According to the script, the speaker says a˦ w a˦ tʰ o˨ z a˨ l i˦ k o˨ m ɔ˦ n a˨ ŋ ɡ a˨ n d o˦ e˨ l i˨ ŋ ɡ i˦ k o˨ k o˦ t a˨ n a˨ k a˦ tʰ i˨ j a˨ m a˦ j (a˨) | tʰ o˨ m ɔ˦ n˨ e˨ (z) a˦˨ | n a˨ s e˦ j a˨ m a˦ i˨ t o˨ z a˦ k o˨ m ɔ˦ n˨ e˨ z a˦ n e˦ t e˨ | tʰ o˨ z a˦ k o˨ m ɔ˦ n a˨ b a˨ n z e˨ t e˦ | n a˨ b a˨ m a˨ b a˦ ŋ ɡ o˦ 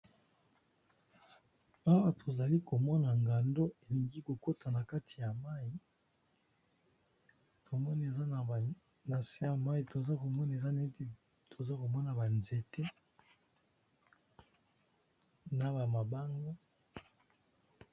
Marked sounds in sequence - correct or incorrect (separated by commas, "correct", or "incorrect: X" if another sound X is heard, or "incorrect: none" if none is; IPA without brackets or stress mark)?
incorrect: i˨, correct